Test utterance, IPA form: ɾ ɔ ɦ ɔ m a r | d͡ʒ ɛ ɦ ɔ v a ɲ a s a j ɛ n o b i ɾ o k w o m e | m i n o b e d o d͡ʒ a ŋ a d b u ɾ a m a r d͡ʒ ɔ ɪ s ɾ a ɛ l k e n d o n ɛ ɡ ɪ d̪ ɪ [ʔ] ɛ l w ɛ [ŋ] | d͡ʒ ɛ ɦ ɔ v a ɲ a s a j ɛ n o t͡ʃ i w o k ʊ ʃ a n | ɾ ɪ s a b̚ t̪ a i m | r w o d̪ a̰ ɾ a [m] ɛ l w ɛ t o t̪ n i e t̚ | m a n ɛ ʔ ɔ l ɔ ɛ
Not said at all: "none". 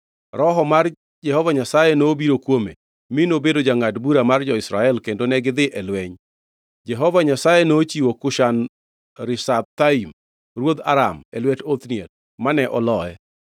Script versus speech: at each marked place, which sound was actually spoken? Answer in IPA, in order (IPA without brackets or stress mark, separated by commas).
ʔ, ɲ, m